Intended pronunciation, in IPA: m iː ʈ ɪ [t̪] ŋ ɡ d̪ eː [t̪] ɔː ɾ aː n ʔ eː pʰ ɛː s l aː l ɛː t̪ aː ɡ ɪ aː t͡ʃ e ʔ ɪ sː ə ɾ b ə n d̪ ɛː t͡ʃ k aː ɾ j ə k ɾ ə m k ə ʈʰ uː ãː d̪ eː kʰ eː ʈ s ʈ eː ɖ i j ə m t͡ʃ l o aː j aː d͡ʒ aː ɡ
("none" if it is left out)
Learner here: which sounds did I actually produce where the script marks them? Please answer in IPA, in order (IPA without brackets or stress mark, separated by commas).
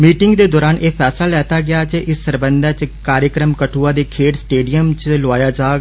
none, d̪